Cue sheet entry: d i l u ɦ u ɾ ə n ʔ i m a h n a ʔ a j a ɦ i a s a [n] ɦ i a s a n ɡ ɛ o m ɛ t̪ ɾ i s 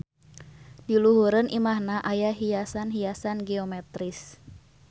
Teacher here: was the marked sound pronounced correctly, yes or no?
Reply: yes